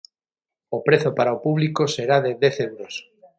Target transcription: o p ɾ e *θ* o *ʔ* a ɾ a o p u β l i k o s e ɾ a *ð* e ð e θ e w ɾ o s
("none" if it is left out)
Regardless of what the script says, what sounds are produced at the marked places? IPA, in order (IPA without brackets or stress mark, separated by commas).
θ, p, ð